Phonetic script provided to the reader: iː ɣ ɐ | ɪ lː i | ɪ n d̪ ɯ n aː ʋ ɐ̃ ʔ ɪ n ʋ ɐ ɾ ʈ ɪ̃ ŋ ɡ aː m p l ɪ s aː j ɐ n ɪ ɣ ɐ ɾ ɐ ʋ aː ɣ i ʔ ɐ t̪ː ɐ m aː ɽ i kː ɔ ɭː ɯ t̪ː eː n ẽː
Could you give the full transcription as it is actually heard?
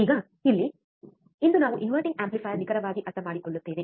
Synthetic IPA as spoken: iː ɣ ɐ | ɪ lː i | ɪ n d̪ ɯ n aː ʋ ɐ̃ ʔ ɪ n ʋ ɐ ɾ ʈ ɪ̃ ŋ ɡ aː m p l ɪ f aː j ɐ n ɪ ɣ ɐ ɾ ɐ ʋ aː ɣ i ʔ ɐ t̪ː ɐ m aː ɽ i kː ɔ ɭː ɯ t̪ː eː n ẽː